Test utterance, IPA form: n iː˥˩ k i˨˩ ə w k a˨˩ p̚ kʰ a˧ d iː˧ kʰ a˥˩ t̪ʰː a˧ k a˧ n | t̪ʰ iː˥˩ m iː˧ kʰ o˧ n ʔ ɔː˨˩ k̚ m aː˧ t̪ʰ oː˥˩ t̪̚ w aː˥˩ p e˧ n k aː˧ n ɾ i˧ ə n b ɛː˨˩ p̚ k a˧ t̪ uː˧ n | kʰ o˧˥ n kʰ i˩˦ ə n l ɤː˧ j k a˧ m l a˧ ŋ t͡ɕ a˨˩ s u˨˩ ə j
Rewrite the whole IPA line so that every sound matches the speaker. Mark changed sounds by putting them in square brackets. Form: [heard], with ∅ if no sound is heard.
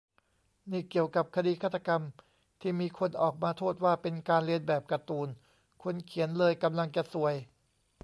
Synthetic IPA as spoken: n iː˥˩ k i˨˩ ə w k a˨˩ p̚ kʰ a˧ d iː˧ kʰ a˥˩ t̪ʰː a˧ k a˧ [m] | t̪ʰ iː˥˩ m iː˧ kʰ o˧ n ʔ ɔː˨˩ k̚ m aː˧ t̪ʰ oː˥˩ t̪̚ w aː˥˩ p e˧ n k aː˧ n [l] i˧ ə n b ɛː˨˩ p̚ k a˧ t̪ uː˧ n | kʰ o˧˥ n kʰ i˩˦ ə n l ɤː˧ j k a˧ m l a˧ ŋ t͡ɕ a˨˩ s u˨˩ ə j